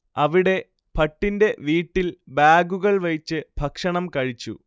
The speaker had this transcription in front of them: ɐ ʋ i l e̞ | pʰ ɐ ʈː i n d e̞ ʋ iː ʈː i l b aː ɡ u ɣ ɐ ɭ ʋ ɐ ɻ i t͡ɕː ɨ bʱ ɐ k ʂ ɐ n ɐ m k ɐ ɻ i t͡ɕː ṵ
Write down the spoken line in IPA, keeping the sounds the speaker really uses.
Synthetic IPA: ɐ ʋ i ɽ e̞ | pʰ ɐ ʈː i n d e̞ ʋ iː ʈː i l b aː ɡ u ɣ ɐ ɭ ʋ ɐ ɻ i t͡ɕː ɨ bʱ ɐ k ʂ ɐ ɳ ɐ m k ɐ ɻ i t͡ɕː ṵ